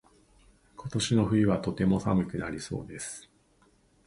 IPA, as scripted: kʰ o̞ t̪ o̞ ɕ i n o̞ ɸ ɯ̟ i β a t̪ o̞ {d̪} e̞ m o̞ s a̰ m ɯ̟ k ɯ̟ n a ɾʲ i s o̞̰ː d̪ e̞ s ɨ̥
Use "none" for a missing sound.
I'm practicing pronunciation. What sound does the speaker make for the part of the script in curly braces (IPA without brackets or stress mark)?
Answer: t̪